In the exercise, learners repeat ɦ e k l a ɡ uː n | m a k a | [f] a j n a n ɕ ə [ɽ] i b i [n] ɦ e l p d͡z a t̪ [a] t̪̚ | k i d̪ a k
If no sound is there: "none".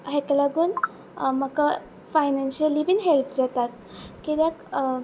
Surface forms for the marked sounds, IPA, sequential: f, l, n, a

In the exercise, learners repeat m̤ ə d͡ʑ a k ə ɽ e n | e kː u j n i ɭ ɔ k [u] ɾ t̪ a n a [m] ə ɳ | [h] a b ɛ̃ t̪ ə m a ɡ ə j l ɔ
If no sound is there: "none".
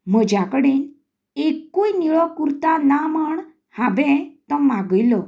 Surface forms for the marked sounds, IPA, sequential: u, m, h

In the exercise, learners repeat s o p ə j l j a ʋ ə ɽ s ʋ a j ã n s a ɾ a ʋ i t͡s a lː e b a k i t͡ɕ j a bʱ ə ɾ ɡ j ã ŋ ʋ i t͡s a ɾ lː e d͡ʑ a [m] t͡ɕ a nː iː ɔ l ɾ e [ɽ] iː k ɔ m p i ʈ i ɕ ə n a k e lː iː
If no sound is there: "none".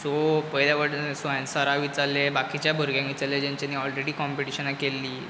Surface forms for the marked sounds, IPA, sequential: ɲ, ɽ

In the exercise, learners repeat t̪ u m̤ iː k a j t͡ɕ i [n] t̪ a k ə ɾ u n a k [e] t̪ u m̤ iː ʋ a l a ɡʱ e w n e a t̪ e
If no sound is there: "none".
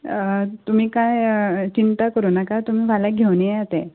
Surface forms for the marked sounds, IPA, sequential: n, a

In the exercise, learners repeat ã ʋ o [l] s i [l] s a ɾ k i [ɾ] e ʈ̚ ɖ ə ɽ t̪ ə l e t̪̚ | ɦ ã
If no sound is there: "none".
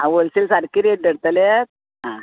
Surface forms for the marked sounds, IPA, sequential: l, l, ɾ

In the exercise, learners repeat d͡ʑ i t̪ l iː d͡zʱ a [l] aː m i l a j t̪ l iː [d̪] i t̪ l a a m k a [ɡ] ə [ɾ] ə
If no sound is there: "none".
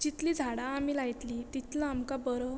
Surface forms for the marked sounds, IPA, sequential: ɽ, t̪, b, ɾ

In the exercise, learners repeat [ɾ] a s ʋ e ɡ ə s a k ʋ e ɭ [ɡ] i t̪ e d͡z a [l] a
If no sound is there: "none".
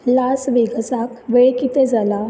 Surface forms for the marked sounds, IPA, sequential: l, k, l

